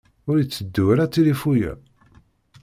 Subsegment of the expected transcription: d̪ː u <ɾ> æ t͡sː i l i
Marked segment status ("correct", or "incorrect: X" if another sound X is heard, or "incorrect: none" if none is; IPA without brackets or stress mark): correct